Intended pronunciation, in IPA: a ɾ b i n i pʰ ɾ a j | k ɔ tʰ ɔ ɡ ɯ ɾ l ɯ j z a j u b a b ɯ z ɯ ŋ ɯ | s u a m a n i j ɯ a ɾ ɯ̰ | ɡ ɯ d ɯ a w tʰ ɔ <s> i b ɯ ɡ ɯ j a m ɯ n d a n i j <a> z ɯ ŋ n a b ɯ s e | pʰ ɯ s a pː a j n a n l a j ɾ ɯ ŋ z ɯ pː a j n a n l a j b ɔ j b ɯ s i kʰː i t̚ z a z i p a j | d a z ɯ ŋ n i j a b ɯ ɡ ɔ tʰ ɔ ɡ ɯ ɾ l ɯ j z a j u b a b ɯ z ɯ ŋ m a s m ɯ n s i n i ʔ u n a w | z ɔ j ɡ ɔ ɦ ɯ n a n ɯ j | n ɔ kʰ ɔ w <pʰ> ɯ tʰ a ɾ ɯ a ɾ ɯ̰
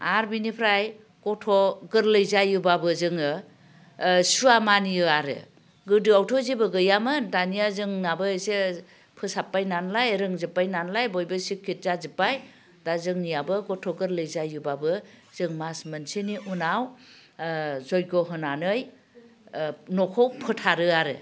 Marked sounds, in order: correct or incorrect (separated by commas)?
incorrect, correct, correct